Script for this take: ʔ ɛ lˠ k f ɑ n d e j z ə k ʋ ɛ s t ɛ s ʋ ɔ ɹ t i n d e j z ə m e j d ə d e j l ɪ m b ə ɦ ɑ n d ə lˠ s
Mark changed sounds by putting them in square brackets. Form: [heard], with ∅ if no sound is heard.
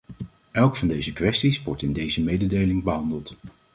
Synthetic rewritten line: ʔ ɛ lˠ k f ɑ n d e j z ə k ʋ ɛ s t [i] s ʋ ɔ ɹ t [ɪ] n d e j z ə m e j d ə d e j l ɪ [ŋ] b ə ɦ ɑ n d ə lˠ [t]